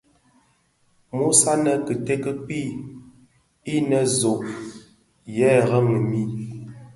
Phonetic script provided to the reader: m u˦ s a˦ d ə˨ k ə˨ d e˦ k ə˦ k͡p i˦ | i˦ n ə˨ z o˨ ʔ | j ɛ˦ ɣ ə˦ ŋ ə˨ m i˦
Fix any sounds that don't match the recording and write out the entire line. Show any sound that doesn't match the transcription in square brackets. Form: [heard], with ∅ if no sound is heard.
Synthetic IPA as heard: m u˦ s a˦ [n] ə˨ k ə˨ [t] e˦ k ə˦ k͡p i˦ | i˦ n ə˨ z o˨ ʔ | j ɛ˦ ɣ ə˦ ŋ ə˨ m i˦